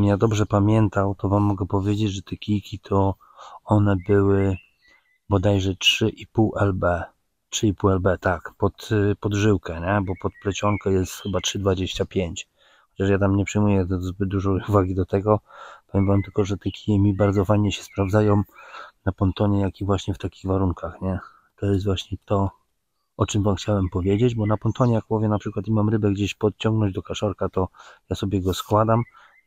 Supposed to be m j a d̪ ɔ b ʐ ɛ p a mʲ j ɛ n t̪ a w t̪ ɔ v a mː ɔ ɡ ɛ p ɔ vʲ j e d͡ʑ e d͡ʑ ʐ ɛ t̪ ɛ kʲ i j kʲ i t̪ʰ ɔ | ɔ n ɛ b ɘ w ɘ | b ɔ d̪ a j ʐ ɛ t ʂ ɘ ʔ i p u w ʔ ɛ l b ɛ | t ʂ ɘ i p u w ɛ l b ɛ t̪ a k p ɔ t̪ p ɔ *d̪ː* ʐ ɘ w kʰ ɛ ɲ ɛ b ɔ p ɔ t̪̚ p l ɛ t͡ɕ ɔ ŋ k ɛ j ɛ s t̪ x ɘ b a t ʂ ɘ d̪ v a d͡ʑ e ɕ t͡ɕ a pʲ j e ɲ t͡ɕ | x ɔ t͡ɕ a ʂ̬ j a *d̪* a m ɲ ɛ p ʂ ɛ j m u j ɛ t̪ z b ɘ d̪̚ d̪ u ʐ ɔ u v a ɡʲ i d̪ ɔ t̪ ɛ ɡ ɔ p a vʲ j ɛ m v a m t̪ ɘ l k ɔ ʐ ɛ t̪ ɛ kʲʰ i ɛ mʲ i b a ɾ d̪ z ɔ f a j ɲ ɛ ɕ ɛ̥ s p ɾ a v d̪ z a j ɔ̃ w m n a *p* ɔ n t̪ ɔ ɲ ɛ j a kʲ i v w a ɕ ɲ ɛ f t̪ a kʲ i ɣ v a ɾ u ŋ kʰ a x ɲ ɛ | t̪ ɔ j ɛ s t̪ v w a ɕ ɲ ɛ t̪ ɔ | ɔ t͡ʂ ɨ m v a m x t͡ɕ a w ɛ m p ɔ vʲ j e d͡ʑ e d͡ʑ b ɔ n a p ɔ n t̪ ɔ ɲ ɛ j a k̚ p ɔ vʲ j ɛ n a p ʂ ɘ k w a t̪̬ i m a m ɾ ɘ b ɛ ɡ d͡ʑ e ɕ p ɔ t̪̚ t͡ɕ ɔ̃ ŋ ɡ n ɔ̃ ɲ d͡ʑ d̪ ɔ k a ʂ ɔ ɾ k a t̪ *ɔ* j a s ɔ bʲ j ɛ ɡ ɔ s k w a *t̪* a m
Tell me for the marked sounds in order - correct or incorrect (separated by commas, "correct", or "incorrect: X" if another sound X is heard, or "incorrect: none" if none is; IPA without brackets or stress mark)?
incorrect: d̪, incorrect: t̪, correct, correct, incorrect: d̪